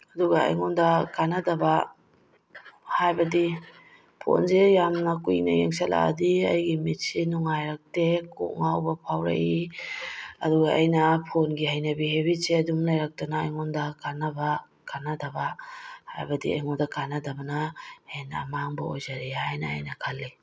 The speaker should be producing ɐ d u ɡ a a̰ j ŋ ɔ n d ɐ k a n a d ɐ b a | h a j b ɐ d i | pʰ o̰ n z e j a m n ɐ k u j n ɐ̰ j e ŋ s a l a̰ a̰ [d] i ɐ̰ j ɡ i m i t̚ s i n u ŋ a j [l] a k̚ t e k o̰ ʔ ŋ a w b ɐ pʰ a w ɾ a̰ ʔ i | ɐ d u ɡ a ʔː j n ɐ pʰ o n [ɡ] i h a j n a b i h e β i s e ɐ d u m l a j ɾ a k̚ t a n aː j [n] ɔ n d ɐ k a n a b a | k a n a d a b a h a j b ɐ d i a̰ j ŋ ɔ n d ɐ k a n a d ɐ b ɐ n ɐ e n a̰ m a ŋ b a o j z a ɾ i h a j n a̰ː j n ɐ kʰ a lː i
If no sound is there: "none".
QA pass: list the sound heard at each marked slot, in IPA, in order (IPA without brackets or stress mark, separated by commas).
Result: d, ɾ, ɡ, ŋ